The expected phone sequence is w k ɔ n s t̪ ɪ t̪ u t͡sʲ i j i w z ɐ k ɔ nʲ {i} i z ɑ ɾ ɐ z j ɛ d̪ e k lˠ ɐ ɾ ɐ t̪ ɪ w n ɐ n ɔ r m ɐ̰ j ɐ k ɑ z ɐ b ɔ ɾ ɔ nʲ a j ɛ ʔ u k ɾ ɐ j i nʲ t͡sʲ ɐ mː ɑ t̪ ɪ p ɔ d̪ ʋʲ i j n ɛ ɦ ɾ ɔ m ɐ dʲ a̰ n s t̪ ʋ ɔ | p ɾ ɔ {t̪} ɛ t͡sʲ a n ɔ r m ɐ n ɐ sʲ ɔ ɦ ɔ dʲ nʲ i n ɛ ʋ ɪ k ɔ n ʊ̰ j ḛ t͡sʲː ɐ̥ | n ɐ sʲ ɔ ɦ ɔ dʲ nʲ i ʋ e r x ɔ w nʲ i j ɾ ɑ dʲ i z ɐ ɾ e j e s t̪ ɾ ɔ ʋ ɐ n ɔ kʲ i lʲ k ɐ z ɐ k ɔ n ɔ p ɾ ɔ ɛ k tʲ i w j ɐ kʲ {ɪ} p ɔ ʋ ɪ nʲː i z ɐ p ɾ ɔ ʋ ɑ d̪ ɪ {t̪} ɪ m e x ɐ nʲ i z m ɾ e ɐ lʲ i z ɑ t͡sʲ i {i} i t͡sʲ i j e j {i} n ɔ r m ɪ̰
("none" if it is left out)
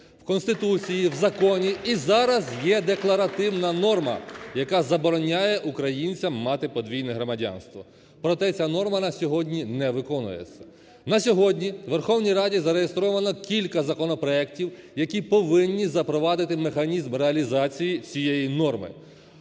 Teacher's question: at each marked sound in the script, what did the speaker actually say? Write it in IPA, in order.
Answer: i, t̪, i, t̪, j, i

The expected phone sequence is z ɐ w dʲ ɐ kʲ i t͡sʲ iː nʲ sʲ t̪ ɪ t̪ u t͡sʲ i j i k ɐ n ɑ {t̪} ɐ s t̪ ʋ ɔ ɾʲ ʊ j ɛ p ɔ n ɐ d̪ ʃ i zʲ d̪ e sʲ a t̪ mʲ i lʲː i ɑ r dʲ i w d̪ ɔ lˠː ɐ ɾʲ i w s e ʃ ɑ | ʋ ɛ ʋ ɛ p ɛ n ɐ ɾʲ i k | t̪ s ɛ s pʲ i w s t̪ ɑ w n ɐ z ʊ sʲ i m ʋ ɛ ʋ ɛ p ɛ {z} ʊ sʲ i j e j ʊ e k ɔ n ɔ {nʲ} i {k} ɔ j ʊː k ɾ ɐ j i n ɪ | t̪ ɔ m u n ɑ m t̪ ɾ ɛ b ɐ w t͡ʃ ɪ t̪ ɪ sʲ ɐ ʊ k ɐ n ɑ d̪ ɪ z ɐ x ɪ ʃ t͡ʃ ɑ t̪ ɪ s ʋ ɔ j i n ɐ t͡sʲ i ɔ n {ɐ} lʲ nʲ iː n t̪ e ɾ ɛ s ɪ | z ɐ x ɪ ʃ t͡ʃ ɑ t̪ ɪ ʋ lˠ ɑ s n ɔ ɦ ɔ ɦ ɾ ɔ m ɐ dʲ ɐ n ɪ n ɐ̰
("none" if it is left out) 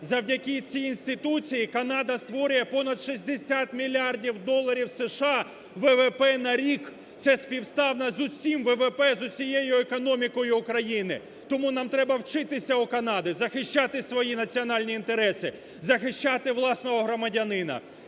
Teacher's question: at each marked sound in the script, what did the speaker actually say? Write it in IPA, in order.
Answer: d̪, z, mʲ, k, ɑ

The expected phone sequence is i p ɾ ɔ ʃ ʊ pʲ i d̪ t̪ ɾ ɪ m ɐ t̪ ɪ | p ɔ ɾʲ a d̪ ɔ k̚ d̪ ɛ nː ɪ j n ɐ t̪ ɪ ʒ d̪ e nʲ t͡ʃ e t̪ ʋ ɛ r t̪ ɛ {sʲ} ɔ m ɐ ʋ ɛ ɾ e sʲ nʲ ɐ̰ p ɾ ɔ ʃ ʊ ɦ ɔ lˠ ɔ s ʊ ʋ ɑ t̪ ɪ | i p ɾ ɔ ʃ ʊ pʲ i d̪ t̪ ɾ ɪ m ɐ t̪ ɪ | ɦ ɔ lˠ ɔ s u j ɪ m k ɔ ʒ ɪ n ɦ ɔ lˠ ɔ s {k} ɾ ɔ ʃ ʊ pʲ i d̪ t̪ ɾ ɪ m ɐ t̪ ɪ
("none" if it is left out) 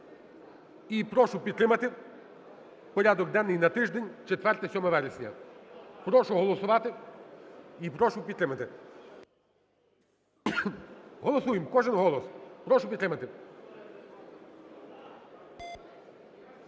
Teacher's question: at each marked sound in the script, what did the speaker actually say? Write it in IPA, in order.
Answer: sʲ, p

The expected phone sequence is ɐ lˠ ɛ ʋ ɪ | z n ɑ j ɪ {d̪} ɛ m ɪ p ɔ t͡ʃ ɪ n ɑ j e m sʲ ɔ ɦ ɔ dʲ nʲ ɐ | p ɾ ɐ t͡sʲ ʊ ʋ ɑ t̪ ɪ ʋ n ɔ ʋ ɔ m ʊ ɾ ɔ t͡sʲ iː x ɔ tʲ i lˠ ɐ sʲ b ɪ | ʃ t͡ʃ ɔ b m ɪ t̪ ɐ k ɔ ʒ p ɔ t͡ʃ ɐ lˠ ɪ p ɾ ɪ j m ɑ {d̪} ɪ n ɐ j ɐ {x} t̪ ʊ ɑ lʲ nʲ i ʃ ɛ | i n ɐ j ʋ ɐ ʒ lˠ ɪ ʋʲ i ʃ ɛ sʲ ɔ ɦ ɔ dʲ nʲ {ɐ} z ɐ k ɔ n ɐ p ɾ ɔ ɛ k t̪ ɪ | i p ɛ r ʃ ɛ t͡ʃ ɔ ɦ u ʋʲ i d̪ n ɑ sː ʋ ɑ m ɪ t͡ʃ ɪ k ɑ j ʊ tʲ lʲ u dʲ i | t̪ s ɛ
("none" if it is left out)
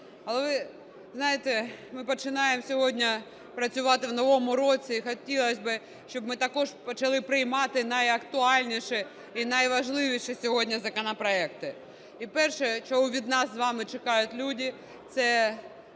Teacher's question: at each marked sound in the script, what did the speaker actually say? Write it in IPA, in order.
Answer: t̪, t̪, k, ɐ

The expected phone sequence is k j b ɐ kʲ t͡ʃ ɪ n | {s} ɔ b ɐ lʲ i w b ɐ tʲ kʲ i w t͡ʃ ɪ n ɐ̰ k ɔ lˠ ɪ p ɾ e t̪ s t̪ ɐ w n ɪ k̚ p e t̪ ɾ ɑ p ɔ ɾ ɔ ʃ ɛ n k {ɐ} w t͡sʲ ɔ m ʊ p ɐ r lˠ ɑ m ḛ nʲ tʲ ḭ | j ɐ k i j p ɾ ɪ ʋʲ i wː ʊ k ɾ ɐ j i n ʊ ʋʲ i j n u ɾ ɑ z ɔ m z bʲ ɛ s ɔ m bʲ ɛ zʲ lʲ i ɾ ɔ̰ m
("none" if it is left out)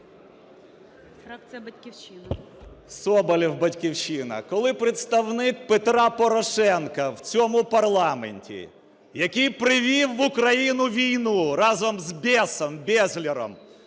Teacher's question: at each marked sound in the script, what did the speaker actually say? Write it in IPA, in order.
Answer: s, ɐ

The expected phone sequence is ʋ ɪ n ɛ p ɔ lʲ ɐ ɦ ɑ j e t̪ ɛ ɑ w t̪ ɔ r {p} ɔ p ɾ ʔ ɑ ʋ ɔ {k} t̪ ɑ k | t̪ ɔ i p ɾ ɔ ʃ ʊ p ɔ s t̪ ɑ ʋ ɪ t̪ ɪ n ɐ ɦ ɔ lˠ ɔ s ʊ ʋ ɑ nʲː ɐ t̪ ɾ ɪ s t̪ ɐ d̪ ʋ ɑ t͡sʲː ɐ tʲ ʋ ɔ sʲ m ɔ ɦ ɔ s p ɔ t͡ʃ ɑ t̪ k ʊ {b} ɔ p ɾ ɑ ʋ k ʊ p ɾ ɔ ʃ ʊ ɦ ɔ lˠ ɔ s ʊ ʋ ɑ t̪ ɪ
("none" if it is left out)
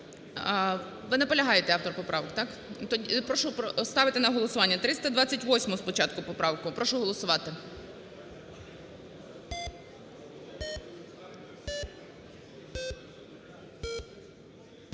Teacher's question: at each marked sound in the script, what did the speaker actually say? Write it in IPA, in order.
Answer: p, k, p

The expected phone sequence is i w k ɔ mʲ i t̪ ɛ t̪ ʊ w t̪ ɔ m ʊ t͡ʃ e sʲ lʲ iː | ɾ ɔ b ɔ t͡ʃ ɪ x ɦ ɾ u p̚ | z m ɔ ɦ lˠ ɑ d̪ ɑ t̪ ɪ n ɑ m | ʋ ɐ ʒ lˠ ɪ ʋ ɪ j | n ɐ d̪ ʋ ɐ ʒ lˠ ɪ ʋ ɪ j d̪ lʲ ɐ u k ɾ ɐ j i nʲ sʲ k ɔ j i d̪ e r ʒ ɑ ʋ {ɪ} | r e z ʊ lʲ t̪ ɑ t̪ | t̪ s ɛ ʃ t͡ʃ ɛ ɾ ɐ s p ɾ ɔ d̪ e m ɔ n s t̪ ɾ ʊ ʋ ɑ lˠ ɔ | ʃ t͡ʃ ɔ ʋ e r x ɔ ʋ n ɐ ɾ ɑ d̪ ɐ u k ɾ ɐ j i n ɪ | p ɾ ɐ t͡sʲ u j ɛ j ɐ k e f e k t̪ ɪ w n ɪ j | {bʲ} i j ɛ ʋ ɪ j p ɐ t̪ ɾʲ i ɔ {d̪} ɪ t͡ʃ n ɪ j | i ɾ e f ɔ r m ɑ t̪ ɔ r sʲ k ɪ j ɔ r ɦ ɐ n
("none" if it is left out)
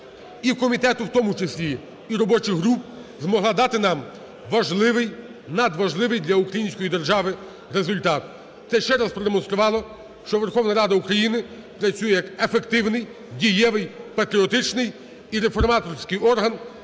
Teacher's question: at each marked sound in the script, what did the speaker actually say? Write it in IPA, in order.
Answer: ɪ, dʲ, t̪

